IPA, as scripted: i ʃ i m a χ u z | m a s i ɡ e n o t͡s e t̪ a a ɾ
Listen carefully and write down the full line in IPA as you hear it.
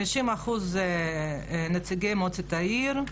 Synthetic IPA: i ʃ i m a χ u z | n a t͡s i ɡ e m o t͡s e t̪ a i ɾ